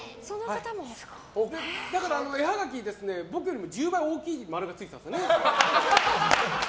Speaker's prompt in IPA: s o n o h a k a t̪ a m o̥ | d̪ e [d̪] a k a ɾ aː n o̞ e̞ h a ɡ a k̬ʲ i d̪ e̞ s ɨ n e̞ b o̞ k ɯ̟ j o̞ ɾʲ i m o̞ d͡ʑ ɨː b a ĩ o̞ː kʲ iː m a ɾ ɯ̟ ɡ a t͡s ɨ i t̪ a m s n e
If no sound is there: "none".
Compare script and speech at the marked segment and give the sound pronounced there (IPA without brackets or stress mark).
d̪